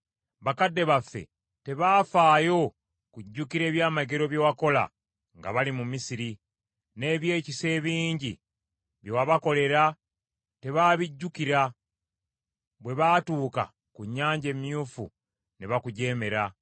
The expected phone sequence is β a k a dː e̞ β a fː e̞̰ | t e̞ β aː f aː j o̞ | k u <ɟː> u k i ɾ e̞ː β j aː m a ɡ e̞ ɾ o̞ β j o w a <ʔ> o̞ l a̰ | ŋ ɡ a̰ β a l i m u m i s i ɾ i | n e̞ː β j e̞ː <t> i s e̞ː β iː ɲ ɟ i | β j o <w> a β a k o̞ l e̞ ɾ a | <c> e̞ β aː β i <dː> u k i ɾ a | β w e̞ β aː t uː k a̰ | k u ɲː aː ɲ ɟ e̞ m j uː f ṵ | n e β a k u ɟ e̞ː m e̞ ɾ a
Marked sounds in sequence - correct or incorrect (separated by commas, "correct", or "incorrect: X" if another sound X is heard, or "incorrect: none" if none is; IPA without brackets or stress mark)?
correct, incorrect: k, incorrect: c, correct, incorrect: t, incorrect: ɟː